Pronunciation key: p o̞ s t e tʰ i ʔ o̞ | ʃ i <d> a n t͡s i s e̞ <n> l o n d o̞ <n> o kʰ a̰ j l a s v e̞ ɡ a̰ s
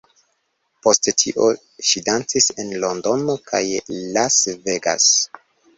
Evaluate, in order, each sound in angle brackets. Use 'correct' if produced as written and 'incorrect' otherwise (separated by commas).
correct, correct, correct